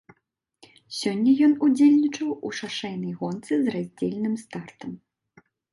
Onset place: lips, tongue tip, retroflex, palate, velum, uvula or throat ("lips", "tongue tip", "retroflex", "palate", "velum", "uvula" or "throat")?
tongue tip